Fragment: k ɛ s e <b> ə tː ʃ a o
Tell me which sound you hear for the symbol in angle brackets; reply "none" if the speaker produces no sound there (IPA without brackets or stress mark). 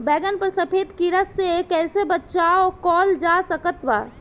b